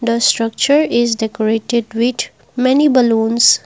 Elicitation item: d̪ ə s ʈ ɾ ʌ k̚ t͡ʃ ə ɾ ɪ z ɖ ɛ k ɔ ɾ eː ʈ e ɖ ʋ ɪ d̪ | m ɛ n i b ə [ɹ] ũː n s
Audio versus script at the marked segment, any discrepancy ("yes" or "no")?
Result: yes